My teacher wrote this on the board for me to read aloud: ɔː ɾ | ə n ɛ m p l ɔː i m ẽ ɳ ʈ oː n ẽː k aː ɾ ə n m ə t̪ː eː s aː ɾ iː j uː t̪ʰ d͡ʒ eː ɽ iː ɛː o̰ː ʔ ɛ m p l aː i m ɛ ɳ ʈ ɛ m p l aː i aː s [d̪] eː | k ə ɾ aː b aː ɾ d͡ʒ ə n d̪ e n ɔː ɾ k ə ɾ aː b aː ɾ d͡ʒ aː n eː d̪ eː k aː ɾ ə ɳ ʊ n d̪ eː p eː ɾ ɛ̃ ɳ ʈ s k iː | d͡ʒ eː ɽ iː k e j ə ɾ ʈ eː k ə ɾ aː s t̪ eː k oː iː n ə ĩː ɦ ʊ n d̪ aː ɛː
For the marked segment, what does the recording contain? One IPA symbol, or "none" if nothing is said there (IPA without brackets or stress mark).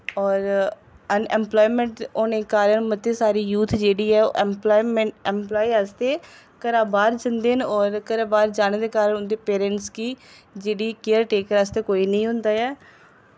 t̪